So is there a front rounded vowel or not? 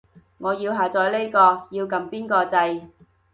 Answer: no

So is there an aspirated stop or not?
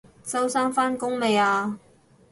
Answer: no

